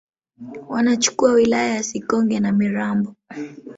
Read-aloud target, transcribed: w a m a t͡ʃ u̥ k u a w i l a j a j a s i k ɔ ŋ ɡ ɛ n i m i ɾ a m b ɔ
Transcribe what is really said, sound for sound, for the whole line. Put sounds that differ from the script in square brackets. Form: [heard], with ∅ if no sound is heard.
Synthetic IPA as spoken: w a [n] a t͡ʃ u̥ k u a w i l a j a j a s i k ɔ ŋ ɡ ɛ n [a] m i ɾ a m b ɔ